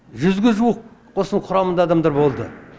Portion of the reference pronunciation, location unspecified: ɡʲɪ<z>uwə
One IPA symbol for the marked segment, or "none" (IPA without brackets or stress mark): ʒ